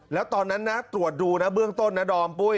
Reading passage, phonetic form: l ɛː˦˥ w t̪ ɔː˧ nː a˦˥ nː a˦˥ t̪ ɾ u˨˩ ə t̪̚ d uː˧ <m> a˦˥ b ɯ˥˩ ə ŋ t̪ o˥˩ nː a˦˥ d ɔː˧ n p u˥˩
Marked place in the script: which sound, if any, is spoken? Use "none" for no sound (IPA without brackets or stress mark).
n